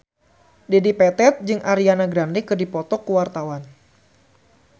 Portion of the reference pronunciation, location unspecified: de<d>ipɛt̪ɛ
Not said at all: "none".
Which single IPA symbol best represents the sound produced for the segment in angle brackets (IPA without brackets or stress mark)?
d